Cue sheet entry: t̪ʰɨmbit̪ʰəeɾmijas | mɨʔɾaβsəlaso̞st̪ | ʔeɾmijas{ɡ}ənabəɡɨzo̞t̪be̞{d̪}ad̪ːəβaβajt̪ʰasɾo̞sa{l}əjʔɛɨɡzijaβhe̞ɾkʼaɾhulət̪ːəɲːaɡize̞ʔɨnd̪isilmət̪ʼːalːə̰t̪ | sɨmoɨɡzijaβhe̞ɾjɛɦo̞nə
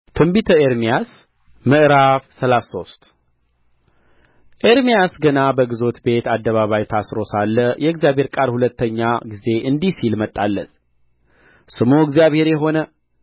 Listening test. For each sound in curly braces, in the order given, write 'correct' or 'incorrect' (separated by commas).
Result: correct, incorrect, incorrect